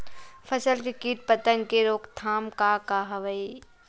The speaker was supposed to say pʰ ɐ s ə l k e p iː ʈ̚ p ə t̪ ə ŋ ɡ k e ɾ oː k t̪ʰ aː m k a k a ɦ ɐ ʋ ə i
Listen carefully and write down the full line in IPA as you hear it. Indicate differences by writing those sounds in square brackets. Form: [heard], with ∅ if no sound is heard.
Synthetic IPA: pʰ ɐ s ə l k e [k] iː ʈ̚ p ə t̪ ə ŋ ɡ k e ɾ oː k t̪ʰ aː m k a k a ɦ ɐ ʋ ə i